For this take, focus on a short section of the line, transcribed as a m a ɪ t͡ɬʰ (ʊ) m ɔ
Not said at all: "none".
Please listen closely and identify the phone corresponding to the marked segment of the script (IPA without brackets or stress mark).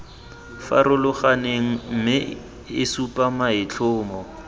ʊː